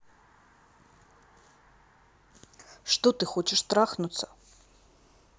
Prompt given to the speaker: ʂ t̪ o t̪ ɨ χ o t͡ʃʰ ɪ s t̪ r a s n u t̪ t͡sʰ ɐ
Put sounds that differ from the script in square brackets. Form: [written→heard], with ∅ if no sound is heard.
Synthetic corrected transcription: ʂ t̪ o t̪ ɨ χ o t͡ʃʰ ɪ [s→ʂ] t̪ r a [s→χ] n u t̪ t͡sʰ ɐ